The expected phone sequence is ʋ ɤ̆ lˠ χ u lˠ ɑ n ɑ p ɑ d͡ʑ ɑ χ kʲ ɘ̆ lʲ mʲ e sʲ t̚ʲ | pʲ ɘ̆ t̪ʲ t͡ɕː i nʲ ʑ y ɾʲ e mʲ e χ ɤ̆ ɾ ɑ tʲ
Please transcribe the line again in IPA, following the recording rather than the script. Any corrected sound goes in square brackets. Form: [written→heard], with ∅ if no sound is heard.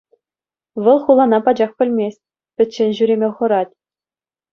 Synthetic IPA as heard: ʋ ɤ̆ lˠ χ u lˠ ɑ n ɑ p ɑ d͡ʑ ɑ χ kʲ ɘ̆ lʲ mʲ e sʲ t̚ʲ | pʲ ɘ̆ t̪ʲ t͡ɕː [i→e] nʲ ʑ y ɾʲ e mʲ e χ ɤ̆ ɾ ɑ tʲ